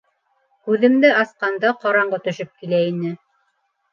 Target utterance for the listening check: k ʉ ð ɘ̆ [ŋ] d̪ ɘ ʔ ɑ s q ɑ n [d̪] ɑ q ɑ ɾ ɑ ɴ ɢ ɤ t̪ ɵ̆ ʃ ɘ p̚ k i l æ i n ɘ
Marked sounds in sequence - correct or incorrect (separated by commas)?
incorrect, correct